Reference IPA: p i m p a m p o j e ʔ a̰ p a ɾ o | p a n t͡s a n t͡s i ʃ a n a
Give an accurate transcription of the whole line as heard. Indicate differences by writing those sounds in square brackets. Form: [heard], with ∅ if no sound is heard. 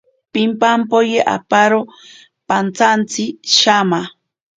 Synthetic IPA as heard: p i m p a m p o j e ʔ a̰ p a ɾ o | p a n t͡s a n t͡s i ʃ a [m] a